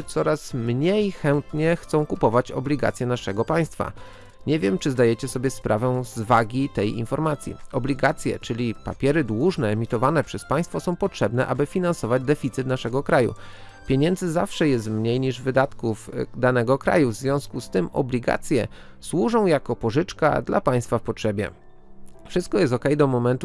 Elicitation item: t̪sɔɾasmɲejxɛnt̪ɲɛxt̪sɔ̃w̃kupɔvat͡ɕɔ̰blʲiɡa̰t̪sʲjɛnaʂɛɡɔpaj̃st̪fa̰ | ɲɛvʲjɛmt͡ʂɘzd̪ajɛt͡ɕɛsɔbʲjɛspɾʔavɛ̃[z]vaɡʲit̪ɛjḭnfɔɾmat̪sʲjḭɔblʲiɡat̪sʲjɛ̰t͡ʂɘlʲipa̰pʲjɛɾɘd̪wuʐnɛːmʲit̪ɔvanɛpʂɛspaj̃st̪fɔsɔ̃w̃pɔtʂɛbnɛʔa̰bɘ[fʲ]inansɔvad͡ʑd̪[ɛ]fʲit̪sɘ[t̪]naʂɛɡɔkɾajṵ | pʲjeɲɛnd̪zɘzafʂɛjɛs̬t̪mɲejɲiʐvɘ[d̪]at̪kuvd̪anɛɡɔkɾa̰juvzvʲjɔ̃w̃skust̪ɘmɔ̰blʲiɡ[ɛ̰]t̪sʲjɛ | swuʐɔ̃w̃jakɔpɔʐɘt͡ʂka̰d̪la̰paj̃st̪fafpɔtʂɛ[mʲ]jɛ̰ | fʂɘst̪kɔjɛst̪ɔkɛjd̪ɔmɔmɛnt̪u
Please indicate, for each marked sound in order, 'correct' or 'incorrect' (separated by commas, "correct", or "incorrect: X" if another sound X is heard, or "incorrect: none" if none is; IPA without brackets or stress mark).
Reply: correct, correct, correct, correct, correct, incorrect: a̰, incorrect: bʲ